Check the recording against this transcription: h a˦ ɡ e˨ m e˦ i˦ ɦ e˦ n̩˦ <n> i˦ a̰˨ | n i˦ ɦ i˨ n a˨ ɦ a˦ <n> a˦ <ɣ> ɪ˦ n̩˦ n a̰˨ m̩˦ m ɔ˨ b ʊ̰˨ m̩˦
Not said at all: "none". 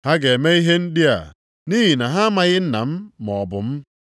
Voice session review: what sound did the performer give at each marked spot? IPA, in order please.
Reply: d, m, ɣ

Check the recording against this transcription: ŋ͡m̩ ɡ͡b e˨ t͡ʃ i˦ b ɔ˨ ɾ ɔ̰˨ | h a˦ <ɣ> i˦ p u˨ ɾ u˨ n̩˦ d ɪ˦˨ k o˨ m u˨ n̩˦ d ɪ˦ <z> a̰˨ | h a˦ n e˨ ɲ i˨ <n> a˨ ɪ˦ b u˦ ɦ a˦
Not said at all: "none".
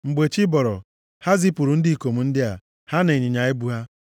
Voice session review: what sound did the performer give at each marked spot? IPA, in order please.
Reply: z, none, ɲ

